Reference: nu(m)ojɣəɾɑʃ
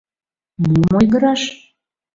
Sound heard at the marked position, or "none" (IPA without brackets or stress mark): m